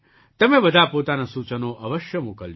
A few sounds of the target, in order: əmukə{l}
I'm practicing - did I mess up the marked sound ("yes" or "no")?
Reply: no